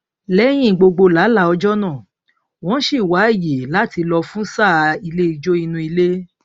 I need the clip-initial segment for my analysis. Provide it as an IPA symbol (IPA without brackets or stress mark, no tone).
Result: l